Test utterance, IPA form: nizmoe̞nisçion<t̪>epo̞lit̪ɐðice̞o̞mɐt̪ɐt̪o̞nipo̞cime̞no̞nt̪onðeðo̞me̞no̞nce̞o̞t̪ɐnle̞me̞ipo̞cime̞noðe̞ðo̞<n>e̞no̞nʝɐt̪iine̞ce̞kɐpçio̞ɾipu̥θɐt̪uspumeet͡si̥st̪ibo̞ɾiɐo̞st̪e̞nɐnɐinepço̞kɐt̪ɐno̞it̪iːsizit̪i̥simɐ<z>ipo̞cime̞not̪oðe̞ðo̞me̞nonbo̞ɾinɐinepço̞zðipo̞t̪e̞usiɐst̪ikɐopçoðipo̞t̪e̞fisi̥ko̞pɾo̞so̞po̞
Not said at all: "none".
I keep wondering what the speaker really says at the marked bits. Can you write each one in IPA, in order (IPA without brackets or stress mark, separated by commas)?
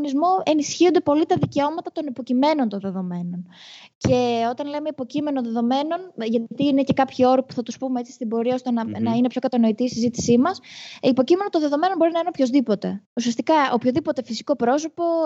d̪, m, s